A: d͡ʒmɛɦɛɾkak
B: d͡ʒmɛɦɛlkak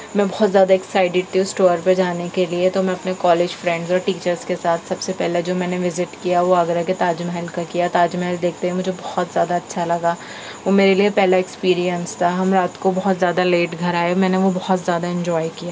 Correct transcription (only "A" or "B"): B